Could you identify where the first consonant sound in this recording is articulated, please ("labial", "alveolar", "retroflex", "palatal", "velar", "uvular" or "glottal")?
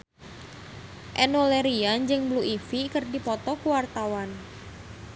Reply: glottal